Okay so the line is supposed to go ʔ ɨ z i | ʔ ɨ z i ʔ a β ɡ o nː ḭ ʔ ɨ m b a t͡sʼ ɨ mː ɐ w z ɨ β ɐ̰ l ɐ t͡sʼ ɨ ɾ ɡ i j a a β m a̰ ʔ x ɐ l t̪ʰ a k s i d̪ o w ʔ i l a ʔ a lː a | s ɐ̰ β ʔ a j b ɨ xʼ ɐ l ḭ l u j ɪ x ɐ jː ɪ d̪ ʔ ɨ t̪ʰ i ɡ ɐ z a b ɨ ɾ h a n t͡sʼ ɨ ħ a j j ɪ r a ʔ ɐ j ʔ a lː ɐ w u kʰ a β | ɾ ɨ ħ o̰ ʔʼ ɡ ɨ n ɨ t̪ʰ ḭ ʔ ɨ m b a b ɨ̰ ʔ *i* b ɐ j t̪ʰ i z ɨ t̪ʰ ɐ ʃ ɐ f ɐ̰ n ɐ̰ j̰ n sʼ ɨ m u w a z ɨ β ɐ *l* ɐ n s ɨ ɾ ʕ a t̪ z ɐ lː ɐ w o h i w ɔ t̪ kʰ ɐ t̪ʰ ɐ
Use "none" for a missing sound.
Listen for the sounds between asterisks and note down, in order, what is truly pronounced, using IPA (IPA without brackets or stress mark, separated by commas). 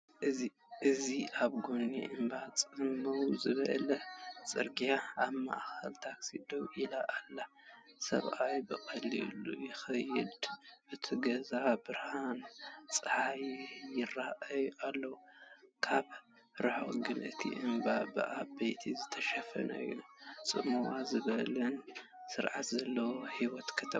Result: a, l